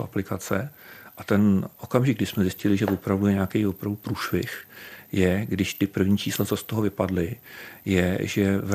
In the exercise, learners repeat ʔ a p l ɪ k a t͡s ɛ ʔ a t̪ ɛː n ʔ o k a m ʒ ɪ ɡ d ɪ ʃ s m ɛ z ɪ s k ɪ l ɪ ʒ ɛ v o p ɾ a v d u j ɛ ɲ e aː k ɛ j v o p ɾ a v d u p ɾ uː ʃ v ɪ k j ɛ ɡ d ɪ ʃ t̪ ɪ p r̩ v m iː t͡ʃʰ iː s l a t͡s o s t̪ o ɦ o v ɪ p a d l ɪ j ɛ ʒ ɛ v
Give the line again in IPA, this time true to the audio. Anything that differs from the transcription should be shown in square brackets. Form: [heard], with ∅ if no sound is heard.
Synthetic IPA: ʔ a p l ɪ k a t͡s ɛ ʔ a t̪ [ɛ] n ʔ o k a m ʒ ɪ ɡ d ɪ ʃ s m ɛ z ɪ s [c] ɪ l ɪ ʒ ɛ v o p ɾ a v d u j ɛ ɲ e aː k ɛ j v o p ɾ a v d u p ɾ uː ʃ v ɪ [x] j ɛ ɡ d ɪ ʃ t̪ ɪ p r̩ v [ɲ] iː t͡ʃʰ iː s l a t͡s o s t̪ o ɦ o v ɪ p a d l ɪ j ɛ ʒ ɛ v